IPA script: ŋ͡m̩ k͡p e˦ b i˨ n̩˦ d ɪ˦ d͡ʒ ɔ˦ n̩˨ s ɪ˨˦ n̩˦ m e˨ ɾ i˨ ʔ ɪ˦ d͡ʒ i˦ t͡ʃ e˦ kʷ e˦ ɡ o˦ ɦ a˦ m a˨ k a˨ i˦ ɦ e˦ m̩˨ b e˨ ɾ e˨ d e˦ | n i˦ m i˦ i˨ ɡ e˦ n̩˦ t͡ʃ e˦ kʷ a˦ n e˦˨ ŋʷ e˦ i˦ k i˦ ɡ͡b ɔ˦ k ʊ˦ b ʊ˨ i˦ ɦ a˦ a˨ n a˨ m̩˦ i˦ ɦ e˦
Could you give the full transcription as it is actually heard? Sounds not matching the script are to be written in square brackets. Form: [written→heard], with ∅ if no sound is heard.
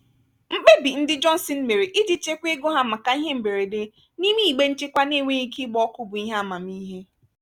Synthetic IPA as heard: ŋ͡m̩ k͡p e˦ b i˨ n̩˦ d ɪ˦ d͡ʒ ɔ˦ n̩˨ s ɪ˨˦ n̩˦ m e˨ ɾ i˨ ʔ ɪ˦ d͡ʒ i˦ t͡ʃ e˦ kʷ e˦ ɡ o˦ ɦ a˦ m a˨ k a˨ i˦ ɦ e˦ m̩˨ b e˨ ɾ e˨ d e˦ | n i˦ m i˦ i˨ [ɡ→ɡ͡b] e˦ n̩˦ t͡ʃ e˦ kʷ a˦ n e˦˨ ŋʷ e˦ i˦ k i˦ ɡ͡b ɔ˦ k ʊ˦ b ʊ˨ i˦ ɦ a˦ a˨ [n→m] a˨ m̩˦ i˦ ɦ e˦

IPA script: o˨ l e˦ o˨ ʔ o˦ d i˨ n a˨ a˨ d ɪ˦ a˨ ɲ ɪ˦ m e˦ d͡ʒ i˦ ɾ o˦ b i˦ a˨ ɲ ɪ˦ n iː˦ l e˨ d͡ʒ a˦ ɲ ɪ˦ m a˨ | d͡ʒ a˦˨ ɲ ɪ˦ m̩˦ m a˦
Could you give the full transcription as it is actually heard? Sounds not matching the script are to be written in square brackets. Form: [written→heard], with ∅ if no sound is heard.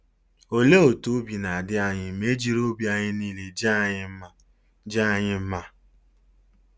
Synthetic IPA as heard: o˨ l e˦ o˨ [ʔ→t] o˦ [d→b] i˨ n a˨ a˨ d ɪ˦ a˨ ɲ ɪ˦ m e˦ d͡ʒ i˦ ɾ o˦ b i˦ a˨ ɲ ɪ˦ n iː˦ l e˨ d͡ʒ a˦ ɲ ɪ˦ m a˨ | d͡ʒ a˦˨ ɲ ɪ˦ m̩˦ m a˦

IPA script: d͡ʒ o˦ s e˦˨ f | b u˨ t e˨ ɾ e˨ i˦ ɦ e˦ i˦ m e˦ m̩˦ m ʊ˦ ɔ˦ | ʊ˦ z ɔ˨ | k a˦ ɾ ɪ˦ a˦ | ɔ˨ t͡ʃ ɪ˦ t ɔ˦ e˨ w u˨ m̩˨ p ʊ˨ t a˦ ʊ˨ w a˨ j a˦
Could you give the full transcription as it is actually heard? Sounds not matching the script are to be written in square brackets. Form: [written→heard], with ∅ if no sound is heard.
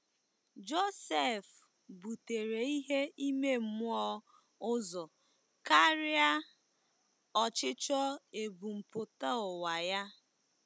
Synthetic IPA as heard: d͡ʒ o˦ s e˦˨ f | b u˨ t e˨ ɾ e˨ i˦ ɦ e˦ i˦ m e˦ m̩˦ m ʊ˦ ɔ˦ | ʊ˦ z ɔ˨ | k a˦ ɾ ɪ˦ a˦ | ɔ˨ t͡ʃ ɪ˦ [t→t͡ʃ] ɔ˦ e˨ [w→b] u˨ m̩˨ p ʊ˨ t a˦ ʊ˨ w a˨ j a˦

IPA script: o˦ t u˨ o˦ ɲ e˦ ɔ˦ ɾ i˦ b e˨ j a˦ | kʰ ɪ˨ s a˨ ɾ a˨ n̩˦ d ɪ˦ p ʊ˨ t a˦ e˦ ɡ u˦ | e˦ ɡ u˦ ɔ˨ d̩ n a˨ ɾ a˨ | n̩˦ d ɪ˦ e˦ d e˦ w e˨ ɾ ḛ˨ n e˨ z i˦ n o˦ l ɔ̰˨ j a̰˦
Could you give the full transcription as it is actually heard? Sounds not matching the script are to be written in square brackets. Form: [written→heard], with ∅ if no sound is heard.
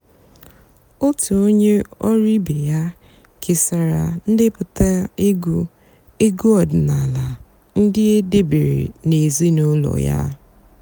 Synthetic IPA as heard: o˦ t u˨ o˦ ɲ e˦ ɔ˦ ɾ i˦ b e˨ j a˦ | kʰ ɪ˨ s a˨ ɾ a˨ n̩˦ d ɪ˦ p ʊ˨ t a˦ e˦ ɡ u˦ | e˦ ɡ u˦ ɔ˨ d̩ n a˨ [ɾ→l] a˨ | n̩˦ d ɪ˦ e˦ d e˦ [w→b] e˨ ɾ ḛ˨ n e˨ z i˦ n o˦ l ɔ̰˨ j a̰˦

